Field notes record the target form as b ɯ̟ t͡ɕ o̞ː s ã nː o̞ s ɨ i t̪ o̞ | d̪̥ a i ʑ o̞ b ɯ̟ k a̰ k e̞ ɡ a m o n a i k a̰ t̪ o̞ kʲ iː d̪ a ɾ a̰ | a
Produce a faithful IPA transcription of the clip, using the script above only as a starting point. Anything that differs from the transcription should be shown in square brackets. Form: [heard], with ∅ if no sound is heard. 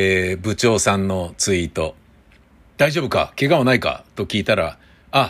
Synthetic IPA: b ɯ̟ t͡ɕ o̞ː s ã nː o̞ [t͡s] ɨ i t̪ o̞ | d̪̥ a i ʑ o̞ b ɯ̟ k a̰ k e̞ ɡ a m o n a i k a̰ t̪ o̞ kʲ iː [t̪] a ɾ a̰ | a